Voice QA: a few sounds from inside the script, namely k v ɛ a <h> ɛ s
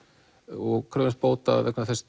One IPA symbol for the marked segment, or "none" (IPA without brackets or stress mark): θ